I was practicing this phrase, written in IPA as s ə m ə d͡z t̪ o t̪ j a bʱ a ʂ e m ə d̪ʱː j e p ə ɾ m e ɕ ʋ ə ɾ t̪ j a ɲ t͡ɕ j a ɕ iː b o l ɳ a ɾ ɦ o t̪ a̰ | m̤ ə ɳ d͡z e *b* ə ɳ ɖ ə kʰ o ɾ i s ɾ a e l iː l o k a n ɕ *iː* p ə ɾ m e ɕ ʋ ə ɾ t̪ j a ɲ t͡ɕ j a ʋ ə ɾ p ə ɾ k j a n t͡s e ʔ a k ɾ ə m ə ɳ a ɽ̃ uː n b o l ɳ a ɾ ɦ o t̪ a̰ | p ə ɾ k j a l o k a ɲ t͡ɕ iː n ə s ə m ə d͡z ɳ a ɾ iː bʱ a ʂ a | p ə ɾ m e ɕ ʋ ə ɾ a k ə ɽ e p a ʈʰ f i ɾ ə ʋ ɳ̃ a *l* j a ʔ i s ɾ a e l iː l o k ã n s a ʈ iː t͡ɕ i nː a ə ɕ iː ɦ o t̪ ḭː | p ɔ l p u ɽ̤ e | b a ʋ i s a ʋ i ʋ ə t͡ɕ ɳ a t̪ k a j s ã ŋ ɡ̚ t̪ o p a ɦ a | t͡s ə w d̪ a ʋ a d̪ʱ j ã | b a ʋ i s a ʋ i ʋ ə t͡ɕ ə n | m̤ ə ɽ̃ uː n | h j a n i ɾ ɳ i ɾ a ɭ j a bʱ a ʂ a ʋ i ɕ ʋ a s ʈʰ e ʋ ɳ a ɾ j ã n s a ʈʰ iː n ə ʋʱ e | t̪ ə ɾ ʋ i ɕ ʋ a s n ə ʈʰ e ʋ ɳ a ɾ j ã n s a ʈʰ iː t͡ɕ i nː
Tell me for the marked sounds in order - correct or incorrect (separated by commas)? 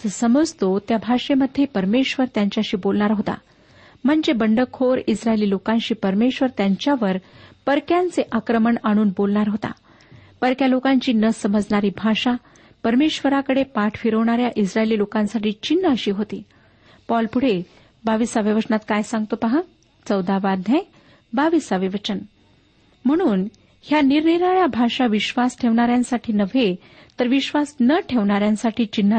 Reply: correct, correct, incorrect